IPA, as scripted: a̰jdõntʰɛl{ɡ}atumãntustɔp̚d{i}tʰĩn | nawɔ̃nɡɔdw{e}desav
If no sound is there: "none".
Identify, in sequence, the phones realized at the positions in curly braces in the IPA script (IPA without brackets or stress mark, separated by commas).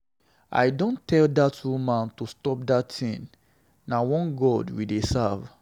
d, a, i